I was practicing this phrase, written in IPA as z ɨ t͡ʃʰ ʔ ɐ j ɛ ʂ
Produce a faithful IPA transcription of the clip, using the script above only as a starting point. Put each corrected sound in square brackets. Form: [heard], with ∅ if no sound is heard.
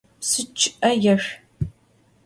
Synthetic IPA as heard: [s] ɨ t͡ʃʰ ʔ ɐ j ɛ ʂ